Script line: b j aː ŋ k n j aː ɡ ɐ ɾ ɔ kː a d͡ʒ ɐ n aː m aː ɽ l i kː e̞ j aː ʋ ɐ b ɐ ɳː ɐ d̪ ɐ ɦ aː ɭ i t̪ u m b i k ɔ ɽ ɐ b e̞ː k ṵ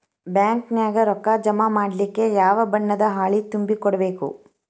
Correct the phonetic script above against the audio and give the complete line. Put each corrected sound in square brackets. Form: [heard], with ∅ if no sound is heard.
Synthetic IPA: b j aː ŋ k n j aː ɡ ɐ ɾ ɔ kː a d͡ʒ ɐ [m] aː m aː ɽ l i kː e̞ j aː ʋ ɐ b ɐ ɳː ɐ d̪ ɐ ɦ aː ɭ i t̪ u m b i k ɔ ɽ ɐ b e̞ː k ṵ